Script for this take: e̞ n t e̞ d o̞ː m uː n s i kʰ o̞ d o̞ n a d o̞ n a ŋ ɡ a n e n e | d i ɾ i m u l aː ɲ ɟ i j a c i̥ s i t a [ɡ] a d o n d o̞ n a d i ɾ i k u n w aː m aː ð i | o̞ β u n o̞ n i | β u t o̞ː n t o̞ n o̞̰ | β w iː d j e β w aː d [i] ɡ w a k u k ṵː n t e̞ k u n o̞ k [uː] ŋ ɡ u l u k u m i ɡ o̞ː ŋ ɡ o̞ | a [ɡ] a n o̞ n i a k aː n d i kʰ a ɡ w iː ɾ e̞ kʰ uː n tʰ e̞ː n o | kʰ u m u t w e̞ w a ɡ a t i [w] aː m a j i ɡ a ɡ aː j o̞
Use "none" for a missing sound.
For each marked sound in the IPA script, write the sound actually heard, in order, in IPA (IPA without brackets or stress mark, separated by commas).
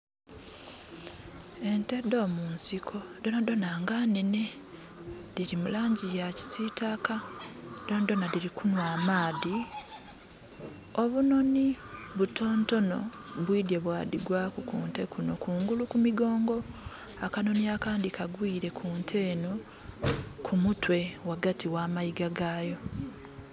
k, i, uː, k, w